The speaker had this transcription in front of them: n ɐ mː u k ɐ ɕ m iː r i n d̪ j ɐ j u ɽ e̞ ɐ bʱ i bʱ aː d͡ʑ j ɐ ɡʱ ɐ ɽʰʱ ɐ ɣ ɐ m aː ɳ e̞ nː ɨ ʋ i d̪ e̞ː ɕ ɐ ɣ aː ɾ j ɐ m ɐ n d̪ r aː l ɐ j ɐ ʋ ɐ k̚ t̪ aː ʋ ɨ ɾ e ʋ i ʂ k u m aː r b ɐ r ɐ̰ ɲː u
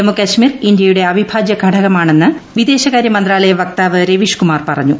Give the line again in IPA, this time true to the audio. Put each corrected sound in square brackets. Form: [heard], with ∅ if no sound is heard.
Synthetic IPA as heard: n ɐ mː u k ɐ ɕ m iː r i n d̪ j ɐ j u ɽ e̞ ɐ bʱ i bʱ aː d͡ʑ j ɐ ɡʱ ɐ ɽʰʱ ɐ ɣ ɐ m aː ɳ e̞ nː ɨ ʋ i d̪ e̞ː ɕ ɐ ɣ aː ɾ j ɐ m ɐ n d̪ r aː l ɐ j ɐ ʋ ɐ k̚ t̪ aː ʋ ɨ ɾ e ʋ i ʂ k u m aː r [p] ɐ r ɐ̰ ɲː u